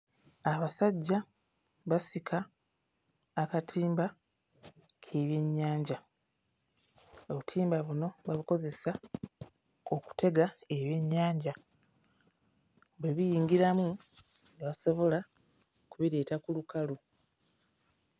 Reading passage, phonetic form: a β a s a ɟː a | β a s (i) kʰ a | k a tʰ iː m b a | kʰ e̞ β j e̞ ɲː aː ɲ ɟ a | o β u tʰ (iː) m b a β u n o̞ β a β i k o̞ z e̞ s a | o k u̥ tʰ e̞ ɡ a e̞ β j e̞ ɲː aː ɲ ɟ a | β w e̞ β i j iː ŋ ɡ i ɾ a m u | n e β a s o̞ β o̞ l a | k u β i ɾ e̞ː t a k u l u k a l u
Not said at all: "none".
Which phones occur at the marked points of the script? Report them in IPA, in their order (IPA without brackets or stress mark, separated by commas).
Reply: i, iː